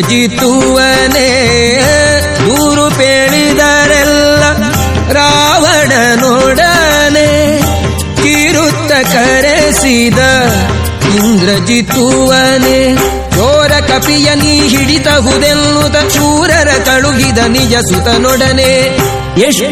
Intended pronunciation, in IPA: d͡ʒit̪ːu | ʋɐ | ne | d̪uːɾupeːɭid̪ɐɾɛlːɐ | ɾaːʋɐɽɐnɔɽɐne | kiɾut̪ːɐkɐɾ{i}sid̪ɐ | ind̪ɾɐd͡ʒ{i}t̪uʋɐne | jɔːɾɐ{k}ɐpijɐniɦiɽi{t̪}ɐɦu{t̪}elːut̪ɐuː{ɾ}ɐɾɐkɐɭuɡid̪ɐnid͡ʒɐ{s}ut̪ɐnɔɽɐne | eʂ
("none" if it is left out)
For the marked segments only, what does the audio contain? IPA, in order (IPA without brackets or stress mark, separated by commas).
e, i, k, t̪, d̪, ɾ, s